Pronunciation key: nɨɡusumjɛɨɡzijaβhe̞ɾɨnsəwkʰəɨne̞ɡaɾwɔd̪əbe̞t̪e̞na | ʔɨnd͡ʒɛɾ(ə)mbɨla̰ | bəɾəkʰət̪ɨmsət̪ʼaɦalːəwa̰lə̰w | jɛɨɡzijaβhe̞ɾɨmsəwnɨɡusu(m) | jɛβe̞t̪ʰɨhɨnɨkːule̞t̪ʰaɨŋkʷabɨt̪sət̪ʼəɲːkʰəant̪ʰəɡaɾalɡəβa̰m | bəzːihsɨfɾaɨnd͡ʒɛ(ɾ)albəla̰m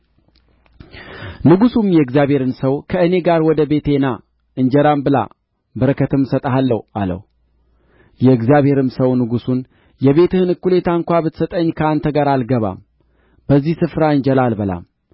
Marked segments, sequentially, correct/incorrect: incorrect: a, incorrect: n, incorrect: l

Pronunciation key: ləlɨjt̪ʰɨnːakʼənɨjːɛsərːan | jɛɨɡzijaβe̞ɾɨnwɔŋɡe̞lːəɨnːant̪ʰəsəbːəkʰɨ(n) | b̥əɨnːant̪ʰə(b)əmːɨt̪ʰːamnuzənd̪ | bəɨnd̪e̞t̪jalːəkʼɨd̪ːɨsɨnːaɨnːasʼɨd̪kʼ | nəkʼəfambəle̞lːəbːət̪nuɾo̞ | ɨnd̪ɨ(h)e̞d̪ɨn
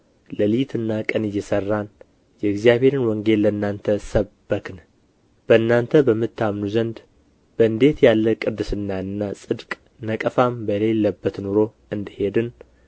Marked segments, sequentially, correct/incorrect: correct, correct, correct

